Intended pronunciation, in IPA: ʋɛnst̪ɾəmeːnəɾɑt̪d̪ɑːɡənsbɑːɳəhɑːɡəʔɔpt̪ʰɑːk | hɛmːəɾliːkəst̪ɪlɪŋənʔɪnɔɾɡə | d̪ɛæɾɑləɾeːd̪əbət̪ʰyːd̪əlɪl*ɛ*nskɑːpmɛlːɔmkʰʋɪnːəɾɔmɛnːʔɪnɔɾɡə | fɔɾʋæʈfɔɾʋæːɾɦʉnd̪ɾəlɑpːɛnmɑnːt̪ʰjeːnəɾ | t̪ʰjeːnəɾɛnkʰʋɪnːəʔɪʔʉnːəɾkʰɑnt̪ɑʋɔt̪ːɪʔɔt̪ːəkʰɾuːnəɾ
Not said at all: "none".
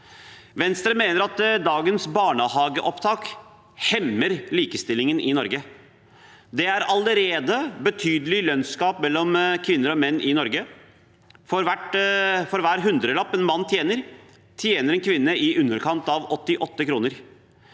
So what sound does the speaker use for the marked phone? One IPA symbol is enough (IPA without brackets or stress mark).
œ